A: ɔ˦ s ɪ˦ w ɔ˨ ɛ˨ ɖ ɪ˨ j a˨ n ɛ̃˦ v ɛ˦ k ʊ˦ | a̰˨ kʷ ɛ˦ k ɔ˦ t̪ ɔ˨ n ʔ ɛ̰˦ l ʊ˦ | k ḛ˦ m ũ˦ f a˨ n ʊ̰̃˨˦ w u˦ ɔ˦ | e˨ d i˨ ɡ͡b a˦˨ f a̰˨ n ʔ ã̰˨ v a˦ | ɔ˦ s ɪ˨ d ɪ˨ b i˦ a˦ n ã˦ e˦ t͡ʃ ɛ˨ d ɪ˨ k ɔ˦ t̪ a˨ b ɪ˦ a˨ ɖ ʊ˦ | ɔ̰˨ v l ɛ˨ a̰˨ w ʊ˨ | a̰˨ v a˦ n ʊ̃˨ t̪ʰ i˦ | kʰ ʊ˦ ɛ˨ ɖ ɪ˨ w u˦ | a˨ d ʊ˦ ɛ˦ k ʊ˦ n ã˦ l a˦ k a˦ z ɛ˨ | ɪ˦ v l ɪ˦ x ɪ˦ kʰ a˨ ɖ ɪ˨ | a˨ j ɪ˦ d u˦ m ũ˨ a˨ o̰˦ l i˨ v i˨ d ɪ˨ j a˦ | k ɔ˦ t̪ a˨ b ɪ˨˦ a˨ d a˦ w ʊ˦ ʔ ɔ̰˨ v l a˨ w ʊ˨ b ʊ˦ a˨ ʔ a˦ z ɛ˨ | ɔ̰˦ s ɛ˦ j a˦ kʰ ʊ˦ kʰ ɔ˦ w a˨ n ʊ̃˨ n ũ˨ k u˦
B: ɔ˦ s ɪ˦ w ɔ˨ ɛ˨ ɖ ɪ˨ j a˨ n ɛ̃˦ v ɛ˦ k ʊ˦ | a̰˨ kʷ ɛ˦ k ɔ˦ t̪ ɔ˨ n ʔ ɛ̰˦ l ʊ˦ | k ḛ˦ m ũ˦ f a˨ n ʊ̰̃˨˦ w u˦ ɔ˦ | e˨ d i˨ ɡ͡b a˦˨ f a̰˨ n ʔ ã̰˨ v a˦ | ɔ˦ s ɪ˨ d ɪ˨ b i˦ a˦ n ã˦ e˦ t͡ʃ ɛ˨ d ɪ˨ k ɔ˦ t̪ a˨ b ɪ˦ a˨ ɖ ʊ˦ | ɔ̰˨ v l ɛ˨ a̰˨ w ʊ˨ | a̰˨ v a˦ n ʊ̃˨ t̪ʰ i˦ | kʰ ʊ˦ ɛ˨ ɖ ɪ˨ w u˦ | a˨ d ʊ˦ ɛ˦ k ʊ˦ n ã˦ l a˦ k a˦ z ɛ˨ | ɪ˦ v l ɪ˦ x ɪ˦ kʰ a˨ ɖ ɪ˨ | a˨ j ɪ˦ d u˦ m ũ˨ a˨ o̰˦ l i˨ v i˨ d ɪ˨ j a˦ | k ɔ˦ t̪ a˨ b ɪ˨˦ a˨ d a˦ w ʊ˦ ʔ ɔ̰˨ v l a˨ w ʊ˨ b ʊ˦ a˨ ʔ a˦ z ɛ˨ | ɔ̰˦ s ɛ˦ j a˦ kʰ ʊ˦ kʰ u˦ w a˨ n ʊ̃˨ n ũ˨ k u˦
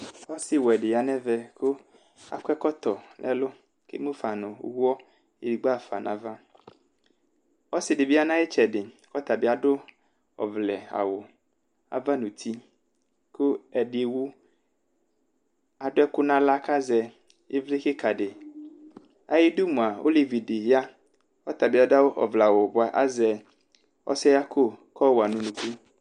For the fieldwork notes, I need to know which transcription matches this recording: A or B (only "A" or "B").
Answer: A